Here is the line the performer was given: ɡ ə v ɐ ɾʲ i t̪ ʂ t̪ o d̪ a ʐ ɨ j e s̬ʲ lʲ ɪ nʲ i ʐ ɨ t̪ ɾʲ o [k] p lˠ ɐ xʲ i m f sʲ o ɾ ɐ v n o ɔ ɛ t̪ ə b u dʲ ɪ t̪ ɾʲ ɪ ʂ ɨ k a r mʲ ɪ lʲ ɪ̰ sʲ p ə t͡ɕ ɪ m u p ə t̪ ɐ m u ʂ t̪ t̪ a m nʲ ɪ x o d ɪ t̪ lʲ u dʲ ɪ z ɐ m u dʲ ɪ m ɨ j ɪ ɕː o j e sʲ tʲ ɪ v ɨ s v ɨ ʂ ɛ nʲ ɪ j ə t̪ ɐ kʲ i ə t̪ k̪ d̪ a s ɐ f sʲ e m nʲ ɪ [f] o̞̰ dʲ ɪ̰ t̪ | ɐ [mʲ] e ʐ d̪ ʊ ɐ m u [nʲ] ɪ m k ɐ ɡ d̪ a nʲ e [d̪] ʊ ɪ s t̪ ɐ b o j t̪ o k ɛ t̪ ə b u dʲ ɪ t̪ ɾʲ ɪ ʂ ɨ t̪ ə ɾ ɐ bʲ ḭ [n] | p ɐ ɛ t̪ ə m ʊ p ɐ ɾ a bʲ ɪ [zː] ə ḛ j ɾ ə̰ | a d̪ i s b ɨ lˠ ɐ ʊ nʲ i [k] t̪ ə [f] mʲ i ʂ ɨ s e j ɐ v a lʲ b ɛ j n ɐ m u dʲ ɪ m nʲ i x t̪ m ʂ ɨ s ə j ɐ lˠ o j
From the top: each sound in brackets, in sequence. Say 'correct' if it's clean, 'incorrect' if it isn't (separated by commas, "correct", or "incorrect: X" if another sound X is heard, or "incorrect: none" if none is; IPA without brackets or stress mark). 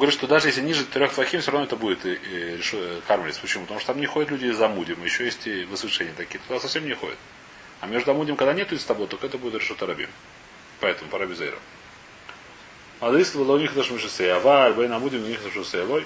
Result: incorrect: x, incorrect: x, correct, incorrect: dʲ, incorrect: t̪, incorrect: m, incorrect: z, incorrect: x, incorrect: ʂ